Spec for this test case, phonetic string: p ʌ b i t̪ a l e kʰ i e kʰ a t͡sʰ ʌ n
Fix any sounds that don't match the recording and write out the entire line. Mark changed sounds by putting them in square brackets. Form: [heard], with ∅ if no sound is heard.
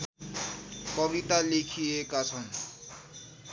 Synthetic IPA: [k] ʌ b i t̪ a l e kʰ i e [k] a t͡sʰ ʌ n